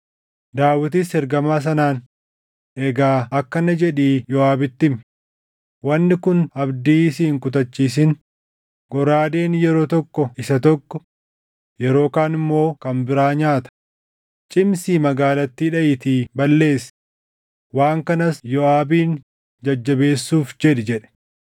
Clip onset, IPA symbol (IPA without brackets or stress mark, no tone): d̪